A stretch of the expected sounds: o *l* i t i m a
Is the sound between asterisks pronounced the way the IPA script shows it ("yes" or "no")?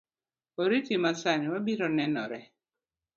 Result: no